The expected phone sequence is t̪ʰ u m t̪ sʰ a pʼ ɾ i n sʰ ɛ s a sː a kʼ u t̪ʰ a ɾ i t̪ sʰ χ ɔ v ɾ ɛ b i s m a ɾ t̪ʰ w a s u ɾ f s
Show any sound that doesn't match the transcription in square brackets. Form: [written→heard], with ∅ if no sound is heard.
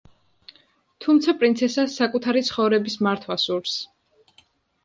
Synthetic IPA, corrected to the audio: t̪ʰ u m t̪ sʰ a pʼ ɾ i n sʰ ɛ s a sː a kʼ u t̪ʰ a ɾ i t̪ sʰ χ ɔ v ɾ ɛ b i s m a ɾ t̪ʰ w a s u ɾ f s